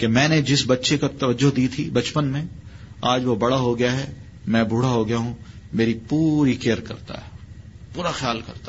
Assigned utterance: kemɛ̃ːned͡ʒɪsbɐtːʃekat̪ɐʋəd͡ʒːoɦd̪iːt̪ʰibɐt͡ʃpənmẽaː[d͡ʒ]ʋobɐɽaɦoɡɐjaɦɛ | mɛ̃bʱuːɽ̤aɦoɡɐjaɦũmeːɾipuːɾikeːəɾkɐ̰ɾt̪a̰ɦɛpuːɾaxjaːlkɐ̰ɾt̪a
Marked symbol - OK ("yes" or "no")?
yes